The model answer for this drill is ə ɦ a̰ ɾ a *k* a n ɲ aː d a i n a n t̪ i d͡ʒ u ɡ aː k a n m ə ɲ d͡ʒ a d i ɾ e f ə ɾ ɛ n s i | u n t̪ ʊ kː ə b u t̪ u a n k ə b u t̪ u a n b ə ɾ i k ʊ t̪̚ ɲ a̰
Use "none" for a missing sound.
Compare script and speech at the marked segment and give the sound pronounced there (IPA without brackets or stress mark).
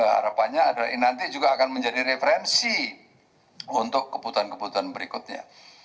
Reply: p